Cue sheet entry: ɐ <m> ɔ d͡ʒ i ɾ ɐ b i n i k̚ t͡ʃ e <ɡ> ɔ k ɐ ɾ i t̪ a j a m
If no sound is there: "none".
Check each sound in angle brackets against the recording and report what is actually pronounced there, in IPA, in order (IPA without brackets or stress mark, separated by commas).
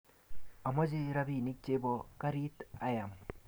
m, b